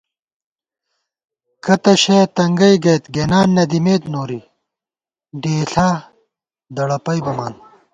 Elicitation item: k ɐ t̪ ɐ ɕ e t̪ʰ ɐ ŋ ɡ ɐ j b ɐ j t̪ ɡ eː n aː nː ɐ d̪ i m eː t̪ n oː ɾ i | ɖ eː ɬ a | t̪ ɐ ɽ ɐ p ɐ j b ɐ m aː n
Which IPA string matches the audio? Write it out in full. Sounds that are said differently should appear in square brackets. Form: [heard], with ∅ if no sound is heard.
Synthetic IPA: k ɐ t̪ ɐ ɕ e [t̪] ɐ ŋ ɡ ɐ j [ɡ] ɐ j t̪ ɡ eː n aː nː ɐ d̪ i m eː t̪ n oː ɾ i | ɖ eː ɬ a | [d̪] ɐ ɽ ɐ p ɐ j b ɐ m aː n